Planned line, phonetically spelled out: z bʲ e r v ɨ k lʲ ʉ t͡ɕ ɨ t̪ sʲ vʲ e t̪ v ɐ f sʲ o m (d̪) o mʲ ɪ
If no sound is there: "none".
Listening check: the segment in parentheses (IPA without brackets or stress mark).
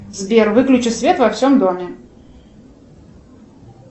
d̪